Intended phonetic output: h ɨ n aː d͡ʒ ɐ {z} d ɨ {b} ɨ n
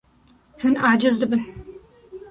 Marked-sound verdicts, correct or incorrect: correct, correct

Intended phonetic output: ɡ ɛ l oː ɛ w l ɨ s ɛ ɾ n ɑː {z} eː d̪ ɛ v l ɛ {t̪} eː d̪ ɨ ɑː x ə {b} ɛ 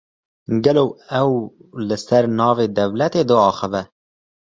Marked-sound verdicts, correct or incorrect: incorrect: v, correct, incorrect: v

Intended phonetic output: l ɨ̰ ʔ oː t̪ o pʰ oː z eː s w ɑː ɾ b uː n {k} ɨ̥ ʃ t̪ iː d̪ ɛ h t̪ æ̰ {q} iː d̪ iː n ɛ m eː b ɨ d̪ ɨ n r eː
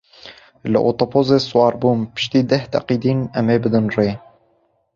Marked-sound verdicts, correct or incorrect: incorrect: p, correct

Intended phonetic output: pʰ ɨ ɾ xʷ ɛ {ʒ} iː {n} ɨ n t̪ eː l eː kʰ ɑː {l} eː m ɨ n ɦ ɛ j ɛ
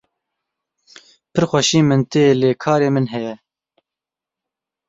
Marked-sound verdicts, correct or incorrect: incorrect: ʃ, incorrect: m, incorrect: ɾ

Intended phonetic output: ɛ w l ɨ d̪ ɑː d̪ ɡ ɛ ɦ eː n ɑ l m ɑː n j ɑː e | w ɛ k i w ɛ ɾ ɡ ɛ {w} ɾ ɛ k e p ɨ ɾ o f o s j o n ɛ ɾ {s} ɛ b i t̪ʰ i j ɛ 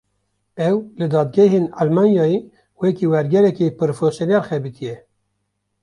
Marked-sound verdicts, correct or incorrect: incorrect: none, incorrect: x

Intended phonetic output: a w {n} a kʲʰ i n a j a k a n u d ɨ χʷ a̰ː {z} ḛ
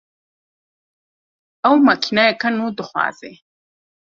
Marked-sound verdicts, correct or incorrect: incorrect: m, correct

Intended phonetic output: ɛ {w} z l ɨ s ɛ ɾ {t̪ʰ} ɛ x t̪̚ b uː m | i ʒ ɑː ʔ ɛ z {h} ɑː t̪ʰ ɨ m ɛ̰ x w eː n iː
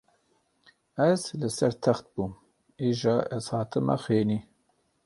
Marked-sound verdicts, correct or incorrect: incorrect: none, correct, correct

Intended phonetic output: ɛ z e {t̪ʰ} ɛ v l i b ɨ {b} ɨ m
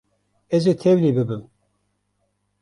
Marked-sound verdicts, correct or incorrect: correct, correct

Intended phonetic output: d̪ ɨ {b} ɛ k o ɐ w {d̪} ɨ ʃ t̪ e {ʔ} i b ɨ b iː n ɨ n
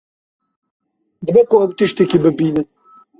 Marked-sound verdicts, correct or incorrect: correct, incorrect: t̪, incorrect: k

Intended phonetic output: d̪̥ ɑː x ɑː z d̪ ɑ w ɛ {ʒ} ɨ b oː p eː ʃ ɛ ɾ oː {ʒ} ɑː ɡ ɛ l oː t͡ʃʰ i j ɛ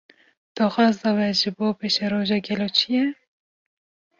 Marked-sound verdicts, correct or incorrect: correct, correct

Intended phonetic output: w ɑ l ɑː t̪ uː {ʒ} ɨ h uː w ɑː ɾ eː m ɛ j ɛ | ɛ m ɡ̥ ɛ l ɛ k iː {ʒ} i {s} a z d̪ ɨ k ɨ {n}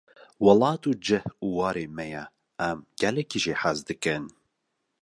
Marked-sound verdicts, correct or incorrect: incorrect: d͡ʒ, correct, incorrect: ħ, correct

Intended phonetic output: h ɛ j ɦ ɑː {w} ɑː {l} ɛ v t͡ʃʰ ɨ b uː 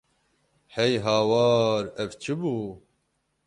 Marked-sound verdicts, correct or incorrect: correct, incorrect: ɾ

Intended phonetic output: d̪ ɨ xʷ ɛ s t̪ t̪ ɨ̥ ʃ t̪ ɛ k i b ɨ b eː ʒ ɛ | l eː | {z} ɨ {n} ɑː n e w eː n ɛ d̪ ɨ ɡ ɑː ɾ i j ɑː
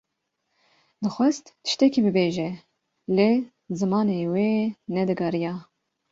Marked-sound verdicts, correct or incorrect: correct, incorrect: m

